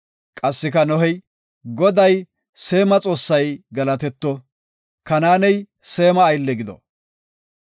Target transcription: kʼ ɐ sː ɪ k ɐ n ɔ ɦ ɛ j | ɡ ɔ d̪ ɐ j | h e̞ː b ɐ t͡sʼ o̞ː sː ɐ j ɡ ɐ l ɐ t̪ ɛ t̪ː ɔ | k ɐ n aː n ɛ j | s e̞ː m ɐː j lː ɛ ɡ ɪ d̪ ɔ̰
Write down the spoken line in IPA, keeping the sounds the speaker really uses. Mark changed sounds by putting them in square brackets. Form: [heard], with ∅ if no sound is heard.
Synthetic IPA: kʼ ɐ sː ɪ k ɐ n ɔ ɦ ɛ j | ɡ ɔ d̪ ɐ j | [s] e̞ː [m] ɐ t͡sʼ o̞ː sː ɐ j ɡ ɐ l ɐ t̪ ɛ t̪ː ɔ | k ɐ n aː n ɛ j | s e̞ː m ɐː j lː ɛ ɡ ɪ d̪ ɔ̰